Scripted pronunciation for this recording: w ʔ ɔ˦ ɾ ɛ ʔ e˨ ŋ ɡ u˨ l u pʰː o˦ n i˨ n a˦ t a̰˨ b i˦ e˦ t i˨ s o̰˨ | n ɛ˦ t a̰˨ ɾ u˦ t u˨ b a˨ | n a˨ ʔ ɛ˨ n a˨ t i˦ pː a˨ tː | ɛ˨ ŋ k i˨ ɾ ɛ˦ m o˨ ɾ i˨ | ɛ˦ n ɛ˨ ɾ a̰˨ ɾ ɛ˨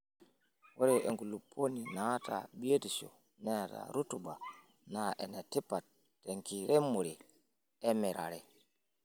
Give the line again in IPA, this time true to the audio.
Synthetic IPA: w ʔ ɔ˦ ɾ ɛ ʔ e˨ ŋ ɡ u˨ l u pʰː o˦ n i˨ n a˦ t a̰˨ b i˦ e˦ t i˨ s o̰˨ | n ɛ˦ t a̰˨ ɾ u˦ t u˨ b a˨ | n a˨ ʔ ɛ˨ n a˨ t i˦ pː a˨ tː | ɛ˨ ŋ k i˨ ɾ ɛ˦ m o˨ ɾ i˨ | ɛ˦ m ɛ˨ ɾ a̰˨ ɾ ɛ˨